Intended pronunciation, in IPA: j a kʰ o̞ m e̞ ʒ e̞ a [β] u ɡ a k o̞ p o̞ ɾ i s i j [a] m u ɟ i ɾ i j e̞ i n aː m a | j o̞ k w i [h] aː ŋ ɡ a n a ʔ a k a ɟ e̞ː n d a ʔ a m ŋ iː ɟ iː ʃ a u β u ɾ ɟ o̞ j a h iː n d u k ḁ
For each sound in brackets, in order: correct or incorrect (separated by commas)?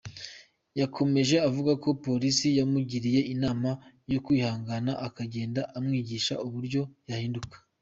incorrect, correct, correct